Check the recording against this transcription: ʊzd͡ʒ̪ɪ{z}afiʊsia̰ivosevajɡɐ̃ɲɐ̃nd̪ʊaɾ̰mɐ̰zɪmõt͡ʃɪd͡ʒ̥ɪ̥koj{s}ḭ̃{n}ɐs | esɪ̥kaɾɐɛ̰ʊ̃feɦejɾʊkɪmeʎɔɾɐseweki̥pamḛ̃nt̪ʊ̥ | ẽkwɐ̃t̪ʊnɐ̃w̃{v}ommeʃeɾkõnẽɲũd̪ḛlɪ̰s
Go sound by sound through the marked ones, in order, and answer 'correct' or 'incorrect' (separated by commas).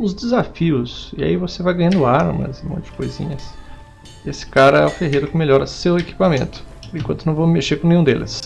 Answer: correct, incorrect, incorrect, correct